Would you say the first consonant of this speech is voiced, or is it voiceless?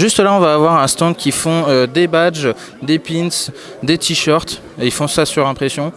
voiced